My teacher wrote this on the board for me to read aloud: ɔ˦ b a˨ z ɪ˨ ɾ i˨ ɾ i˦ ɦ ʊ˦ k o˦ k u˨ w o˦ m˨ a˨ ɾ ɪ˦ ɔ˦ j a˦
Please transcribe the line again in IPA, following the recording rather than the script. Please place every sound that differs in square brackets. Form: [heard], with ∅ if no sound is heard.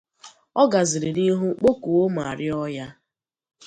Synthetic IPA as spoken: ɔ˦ [ɡ] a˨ z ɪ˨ ɾ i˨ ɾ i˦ ɦ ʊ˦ [k͡p] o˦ k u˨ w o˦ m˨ a˨ ɾ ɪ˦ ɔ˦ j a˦